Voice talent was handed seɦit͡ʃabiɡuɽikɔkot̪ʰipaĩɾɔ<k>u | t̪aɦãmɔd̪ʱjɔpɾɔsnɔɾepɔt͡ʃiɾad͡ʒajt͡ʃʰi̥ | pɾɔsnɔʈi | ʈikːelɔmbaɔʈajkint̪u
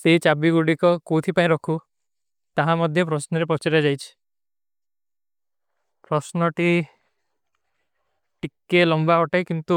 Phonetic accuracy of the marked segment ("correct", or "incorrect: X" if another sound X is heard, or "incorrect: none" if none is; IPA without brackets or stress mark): incorrect: kʰ